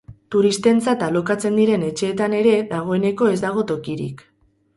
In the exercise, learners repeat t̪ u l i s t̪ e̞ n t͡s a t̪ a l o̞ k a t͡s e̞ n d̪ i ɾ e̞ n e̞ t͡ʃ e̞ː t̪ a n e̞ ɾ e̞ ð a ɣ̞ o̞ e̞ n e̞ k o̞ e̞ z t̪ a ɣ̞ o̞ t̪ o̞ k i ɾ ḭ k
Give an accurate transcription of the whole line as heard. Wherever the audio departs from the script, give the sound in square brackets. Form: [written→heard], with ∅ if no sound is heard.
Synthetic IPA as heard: t̪ u [l→ɾ] i s t̪ e̞ n t͡s a t̪ a l o̞ k a t͡s e̞ n d̪ i ɾ e̞ n e̞ t͡ʃ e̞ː t̪ a n e̞ ɾ e̞ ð a ɣ̞ o̞ e̞ n e̞ k o̞ e̞ z [t̪→d̪] a ɣ̞ o̞ t̪ o̞ k i ɾ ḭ k